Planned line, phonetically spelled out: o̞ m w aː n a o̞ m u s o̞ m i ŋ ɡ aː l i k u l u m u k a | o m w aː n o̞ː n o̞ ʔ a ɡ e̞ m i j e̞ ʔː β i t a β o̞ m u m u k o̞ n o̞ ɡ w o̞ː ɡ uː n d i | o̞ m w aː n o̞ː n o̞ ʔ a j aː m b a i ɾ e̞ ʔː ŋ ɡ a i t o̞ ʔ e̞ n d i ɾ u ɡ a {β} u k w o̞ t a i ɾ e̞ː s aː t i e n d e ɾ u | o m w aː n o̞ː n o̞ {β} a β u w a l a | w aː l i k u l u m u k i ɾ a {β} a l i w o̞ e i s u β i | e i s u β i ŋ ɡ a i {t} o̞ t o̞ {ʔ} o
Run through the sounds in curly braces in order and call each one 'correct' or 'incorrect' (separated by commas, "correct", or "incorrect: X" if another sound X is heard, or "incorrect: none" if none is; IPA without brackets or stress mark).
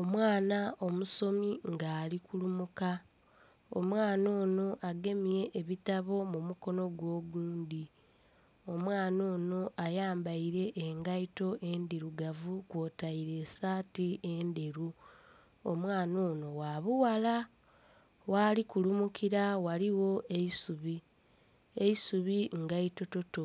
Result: incorrect: v, incorrect: w, incorrect: w, correct, incorrect: t